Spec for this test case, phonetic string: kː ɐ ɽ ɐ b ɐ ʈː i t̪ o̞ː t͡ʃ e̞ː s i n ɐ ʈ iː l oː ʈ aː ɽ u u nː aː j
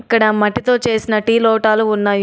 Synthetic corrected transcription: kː ɐ ɽ ɐ m ɐ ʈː i t̪ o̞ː t͡ʃ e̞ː s i n ɐ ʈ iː l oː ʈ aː l u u nː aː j

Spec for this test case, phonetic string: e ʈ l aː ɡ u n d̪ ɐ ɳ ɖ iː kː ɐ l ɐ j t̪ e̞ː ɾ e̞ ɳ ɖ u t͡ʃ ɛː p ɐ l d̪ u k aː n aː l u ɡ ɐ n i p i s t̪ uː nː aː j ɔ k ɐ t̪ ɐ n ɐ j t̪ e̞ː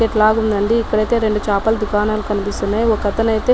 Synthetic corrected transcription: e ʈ l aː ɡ u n d̪ ɐ ɳ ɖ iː kː ɐ ɽ ɐ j t̪ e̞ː ɾ e̞ ɳ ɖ u t͡ʃ aː p ɐ l d̪ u k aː n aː l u k ɐ n i p i s t̪ u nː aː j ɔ k ɐ t̪ ɐ n ɐ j t̪ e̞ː

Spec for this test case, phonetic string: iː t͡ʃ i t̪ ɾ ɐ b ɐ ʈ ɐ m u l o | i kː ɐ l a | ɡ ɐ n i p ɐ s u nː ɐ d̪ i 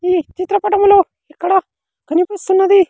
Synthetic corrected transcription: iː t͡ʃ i t̪ ɾ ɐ p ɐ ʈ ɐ m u l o | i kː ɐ ɽ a | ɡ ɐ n i p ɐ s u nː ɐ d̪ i

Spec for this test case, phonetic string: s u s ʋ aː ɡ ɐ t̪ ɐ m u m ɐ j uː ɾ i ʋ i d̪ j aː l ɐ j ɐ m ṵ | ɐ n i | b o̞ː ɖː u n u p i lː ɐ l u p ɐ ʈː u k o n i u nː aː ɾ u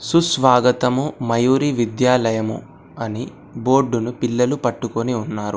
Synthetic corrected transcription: s u s ʋ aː ɡ ɐ t̪ ɐ m u m ɐ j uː ɾ i ʋ i d̪ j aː l ɐ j ɐ m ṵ | ɐ n i | b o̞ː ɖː u n u p i lː ɐ l u p ɐ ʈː u k o n i u nː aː ɾ u

